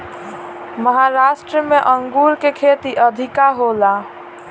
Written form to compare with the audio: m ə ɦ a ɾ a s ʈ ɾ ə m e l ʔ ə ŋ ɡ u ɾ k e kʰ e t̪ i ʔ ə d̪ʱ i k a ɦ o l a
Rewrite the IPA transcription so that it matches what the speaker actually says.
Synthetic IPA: m ə ɦ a ɾ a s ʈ ɾ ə m e ʔ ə ŋ ɡ u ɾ k e kʰ e t̪ i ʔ ə d̪ʱ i k a ɦ o l a